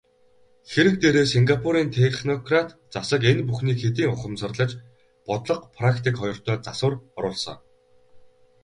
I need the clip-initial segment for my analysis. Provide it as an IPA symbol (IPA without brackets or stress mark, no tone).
x